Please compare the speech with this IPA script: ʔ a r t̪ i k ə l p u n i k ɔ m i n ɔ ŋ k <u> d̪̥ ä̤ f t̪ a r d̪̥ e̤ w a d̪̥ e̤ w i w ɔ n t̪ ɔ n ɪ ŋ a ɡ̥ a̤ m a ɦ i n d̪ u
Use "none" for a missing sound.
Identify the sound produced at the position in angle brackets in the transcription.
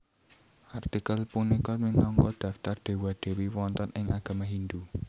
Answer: ɔ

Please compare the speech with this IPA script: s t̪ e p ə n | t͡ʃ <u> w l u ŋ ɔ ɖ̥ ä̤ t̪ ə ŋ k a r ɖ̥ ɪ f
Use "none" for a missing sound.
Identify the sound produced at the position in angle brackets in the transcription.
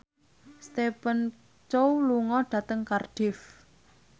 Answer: o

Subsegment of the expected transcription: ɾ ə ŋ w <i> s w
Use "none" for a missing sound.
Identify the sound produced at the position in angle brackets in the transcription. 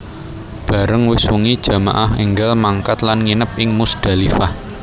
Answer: ɪ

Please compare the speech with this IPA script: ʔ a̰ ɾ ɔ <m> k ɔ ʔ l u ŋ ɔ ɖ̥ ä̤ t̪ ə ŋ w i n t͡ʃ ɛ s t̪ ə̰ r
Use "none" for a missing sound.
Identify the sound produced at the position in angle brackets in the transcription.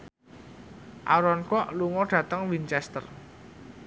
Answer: n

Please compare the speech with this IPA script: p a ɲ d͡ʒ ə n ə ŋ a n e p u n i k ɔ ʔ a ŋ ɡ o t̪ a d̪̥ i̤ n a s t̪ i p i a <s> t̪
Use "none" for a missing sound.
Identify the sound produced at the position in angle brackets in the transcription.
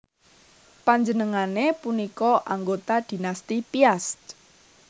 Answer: s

